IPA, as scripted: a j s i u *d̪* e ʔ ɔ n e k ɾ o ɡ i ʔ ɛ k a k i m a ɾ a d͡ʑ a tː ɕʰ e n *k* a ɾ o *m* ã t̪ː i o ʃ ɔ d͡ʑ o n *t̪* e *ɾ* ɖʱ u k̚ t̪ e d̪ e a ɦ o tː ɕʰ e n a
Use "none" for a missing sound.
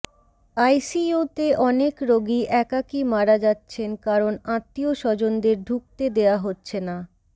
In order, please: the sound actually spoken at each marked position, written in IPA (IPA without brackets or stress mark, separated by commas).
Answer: t̪, k, n, d̪, ɾ